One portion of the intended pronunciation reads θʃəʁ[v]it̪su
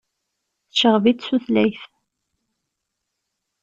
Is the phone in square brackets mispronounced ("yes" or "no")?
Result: no